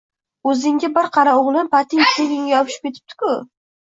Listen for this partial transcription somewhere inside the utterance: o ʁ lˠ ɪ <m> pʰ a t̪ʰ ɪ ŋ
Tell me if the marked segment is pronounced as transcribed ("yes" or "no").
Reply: no